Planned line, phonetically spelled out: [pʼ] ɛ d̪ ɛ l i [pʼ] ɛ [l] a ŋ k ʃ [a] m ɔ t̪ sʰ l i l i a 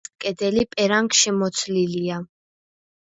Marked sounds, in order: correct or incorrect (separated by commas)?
incorrect, correct, incorrect, incorrect